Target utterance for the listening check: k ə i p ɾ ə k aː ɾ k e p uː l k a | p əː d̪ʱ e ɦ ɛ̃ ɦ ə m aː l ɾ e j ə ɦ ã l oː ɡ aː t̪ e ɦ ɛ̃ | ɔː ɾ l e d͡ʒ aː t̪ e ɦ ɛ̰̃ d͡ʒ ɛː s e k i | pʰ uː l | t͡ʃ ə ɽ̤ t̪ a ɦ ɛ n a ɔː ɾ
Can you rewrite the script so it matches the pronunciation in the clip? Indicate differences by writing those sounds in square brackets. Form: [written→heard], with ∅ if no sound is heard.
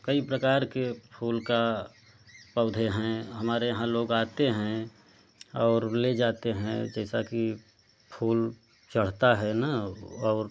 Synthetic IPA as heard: k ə i p ɾ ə k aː ɾ k e [p→pʰ] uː l k a | p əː d̪ʱ e ɦ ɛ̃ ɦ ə m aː [l→∅] ɾ e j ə ɦ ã l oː ɡ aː t̪ e ɦ ɛ̃ | ɔː ɾ l e d͡ʒ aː t̪ e ɦ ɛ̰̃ d͡ʒ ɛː s [e→a] k i | pʰ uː l | t͡ʃ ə ɽ̤ t̪ a ɦ ɛ n a ɔː ɾ